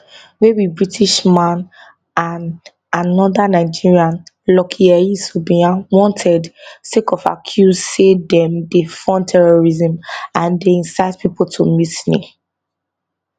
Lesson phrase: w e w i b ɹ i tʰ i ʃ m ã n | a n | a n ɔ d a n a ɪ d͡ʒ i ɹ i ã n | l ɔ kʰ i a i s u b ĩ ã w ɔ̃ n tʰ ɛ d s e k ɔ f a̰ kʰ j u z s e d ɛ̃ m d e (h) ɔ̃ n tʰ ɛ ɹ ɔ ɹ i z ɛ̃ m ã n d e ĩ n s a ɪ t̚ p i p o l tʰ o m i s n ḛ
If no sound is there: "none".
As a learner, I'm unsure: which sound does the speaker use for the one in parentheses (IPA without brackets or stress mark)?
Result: f